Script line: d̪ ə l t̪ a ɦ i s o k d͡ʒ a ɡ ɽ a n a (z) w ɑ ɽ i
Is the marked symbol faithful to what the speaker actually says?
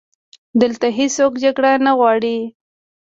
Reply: no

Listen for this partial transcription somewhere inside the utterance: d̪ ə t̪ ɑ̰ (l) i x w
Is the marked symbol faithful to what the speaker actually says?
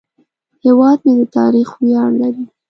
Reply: no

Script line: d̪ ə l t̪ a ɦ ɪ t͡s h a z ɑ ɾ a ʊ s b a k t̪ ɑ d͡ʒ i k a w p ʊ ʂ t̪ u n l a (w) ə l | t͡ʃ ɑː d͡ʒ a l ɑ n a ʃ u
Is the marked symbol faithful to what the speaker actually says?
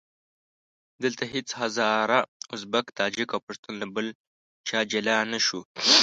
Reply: no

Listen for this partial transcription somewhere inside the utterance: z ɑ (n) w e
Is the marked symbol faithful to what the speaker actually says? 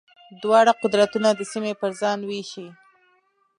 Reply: yes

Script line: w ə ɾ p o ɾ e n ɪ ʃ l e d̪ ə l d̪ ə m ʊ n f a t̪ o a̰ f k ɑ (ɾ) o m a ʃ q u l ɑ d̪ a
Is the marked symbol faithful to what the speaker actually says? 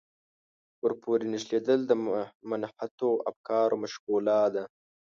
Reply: yes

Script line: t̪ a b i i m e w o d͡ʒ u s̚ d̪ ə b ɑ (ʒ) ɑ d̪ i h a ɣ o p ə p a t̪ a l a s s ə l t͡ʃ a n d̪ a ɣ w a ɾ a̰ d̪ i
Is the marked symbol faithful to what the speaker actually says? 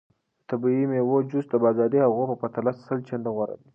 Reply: no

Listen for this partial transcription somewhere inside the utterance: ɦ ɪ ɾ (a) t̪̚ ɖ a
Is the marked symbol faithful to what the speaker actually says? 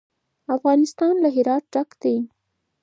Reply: no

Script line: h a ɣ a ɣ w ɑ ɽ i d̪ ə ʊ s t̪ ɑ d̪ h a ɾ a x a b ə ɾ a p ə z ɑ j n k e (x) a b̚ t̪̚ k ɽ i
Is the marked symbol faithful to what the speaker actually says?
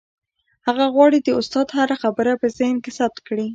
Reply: no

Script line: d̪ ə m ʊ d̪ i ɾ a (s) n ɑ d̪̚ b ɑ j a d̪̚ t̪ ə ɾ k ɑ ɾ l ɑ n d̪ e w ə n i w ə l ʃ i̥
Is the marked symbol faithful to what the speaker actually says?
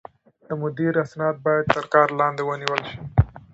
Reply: yes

